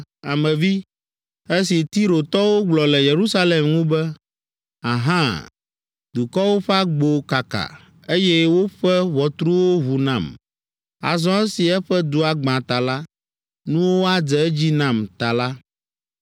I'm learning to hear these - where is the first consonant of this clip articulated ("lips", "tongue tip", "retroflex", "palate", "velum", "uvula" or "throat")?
lips